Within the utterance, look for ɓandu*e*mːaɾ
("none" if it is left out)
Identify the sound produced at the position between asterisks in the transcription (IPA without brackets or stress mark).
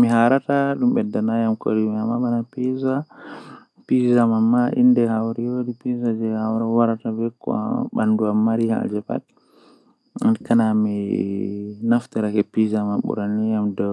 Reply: a